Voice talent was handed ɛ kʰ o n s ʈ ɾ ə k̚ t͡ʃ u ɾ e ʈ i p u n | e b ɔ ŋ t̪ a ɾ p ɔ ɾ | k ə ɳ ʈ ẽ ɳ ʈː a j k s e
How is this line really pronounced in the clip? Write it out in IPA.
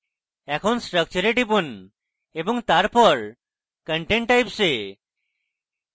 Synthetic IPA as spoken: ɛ kʰ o n s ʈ ɾ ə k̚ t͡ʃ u ɾ e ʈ i p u n | e b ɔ ŋ t̪ a ɾ p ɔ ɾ | k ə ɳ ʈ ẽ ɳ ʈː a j p s e